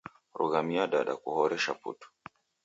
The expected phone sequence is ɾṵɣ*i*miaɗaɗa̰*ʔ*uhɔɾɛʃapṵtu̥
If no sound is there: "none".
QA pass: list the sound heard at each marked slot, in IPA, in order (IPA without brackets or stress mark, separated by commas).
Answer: a, k